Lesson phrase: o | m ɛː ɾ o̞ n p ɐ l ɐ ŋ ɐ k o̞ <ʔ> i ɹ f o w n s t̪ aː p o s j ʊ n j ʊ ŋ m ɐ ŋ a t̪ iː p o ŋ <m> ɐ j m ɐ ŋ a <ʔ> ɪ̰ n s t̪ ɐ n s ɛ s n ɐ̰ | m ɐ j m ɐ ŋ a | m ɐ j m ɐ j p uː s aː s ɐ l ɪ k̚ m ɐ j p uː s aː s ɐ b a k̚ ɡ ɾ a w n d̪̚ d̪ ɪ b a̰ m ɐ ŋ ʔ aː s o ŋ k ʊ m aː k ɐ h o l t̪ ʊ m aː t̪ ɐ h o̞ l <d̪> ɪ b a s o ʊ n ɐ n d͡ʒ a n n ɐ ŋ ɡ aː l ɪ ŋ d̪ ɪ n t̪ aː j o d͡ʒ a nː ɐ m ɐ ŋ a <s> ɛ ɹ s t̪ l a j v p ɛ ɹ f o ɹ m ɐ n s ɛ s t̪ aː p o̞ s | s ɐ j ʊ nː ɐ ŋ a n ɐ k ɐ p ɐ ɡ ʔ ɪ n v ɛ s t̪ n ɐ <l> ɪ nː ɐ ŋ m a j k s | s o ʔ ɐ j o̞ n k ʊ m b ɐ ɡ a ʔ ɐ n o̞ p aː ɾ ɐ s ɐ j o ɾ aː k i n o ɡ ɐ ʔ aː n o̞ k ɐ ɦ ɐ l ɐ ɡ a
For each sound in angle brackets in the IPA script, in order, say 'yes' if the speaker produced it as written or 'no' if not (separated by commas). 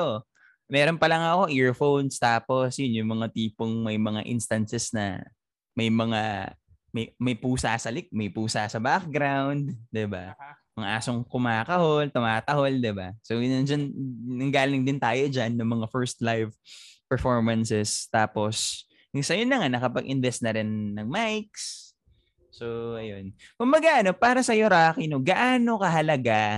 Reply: yes, yes, yes, yes, no, no